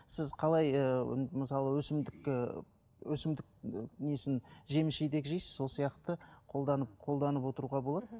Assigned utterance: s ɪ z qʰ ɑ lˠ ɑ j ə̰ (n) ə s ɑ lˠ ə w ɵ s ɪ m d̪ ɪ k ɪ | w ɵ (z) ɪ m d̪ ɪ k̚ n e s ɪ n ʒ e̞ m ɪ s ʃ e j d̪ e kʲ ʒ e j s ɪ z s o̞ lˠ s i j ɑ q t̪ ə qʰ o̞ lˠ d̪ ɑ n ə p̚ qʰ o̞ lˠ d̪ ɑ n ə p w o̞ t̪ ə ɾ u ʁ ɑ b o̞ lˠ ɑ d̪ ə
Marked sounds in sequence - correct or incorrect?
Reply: incorrect: m, incorrect: s

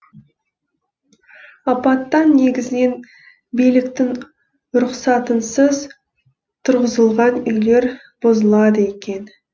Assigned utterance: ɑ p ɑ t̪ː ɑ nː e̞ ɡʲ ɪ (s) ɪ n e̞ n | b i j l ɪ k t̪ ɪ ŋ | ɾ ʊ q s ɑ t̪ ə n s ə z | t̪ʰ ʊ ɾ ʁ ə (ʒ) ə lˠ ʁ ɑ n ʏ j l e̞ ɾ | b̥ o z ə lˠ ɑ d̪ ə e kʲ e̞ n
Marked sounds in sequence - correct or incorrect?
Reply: incorrect: z, incorrect: z

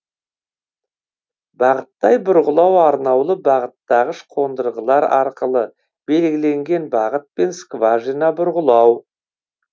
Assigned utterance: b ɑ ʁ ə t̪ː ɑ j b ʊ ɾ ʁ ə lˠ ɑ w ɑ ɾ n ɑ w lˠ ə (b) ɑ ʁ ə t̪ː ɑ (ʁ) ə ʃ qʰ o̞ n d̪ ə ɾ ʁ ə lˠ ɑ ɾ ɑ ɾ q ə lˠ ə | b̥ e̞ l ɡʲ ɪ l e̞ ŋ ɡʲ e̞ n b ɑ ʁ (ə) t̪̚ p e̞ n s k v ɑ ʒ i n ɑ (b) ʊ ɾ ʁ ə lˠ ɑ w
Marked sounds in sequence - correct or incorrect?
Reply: correct, correct, correct, correct

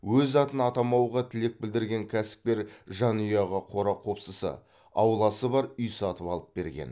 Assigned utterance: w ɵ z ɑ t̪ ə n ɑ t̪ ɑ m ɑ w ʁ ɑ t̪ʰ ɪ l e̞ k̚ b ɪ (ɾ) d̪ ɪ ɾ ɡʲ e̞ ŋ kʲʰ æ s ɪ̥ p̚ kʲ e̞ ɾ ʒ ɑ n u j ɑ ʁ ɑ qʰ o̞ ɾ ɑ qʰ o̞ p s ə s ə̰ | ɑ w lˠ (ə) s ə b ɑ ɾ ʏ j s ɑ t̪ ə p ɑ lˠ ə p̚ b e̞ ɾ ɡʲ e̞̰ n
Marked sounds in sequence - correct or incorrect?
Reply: incorrect: l, incorrect: ɑ

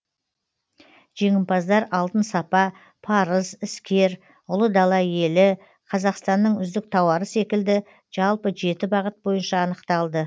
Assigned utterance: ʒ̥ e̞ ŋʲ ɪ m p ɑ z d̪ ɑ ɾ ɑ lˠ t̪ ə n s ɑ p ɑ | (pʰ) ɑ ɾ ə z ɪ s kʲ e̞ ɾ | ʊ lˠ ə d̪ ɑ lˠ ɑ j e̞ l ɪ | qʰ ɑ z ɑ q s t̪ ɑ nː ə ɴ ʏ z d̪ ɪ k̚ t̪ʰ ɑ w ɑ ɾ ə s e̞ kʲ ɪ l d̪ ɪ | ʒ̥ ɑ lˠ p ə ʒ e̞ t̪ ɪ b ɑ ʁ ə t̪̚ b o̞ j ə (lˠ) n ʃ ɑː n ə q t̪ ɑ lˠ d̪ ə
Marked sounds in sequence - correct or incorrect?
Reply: correct, incorrect: none

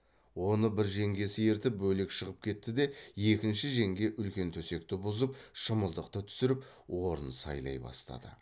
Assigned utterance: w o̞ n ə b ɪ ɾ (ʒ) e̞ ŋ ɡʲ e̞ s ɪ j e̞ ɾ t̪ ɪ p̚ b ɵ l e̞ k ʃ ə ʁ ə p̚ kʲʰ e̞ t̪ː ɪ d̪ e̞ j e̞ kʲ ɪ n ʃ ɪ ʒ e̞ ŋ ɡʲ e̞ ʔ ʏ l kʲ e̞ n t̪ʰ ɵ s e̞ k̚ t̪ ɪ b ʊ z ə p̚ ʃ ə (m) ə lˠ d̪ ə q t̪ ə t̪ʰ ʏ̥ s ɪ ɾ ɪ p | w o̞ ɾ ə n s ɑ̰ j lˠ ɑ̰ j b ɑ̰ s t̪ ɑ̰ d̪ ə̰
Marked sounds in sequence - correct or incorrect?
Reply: correct, correct

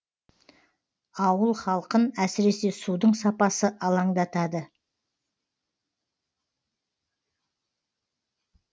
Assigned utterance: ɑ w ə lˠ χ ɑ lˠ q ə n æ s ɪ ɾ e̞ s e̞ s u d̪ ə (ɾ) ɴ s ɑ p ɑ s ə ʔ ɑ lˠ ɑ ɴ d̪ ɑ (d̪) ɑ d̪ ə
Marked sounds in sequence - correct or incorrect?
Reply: incorrect: none, incorrect: t̪

